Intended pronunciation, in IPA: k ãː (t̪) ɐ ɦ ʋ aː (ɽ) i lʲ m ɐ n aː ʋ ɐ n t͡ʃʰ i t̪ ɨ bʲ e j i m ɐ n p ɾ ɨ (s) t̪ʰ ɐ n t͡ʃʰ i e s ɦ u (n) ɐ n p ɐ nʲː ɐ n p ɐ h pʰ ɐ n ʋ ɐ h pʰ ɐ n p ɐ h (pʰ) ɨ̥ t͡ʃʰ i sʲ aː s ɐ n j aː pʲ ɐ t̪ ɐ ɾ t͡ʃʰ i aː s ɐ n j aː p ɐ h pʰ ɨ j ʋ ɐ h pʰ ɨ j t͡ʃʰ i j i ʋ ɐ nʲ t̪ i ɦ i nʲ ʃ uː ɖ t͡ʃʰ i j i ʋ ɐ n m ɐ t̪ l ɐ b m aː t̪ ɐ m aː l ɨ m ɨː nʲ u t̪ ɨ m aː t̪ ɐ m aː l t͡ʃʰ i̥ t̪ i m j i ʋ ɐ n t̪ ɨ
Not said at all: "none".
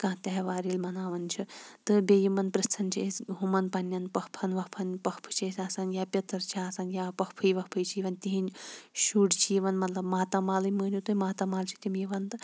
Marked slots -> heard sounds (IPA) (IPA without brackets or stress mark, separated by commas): t̪, ɾ, s, m, pʰ